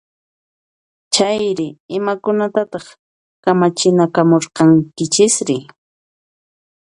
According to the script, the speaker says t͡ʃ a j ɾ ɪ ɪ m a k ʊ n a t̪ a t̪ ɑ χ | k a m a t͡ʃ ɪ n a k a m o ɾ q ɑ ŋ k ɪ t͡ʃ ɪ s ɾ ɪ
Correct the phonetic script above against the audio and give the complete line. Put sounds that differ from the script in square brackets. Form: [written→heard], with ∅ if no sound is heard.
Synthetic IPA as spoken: t͡ʃ a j ɾ ɪ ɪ m a k ʊ n a t̪ a t̪ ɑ χ | k a m a t͡ʃ ɪ n a k a m o ɾ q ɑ ŋ k ɪ t͡ʃ ɪ s ɾ ɪ